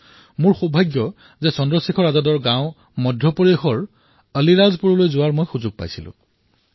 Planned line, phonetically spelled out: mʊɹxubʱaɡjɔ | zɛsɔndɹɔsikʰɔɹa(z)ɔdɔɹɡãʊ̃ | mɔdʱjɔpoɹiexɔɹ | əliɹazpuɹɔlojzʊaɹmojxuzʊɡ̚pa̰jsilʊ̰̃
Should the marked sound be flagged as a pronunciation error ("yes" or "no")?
no